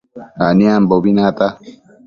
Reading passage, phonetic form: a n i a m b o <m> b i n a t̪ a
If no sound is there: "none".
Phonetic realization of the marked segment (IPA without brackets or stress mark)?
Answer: none